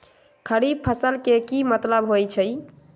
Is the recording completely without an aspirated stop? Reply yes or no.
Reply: no